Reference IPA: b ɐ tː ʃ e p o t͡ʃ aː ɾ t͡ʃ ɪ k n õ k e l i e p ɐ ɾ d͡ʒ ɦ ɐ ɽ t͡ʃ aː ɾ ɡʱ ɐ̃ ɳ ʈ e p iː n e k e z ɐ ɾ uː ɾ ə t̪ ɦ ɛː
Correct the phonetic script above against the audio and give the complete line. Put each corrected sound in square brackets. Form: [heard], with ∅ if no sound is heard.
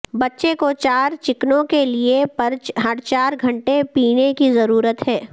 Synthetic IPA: b ɐ tː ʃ e [k] o t͡ʃ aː ɾ t͡ʃ ɪ k n õ k e l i e p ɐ ɾ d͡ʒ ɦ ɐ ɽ t͡ʃ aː ɾ ɡʱ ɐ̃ ɳ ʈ e p iː n e k [i] z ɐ ɾ uː ɾ ə t̪ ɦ ɛː